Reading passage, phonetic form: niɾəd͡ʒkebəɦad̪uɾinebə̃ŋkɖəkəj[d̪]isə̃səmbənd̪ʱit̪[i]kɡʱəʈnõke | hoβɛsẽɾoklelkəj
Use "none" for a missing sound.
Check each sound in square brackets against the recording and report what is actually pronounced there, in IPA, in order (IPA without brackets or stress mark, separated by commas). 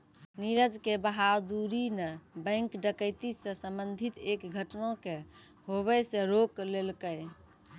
t̪, e